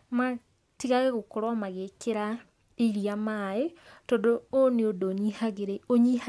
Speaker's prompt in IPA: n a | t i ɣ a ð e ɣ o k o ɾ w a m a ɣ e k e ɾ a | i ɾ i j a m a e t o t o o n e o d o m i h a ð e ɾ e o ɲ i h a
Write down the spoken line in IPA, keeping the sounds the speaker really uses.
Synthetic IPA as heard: m a | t i ɣ a ɣ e ɣ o k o ɾ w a m a ɣ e k e ɾ a | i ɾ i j a m a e t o d o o n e o d o ɲ i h a ɣ e ɾ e o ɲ i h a